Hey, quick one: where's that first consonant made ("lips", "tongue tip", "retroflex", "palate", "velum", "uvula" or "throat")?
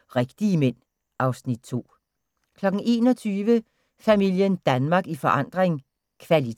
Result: uvula